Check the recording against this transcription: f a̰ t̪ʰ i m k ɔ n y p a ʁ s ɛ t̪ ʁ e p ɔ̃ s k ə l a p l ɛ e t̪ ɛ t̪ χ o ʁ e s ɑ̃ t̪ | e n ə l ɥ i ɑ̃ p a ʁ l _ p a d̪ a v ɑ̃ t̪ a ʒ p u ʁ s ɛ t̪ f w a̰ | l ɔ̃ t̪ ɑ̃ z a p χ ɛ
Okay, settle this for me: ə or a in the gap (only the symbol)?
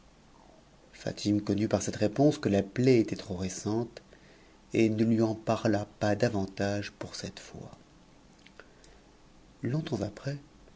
a